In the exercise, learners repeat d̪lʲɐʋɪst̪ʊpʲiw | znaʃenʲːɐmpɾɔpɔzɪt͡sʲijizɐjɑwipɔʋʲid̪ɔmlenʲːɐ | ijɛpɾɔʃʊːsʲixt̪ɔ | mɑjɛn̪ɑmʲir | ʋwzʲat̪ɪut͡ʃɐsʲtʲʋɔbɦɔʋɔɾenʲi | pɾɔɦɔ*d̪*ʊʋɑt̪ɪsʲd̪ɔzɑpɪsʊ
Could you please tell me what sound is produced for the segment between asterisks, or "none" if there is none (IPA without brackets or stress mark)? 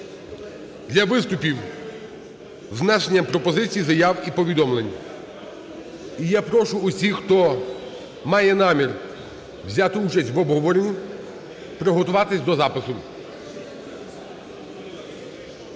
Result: t̪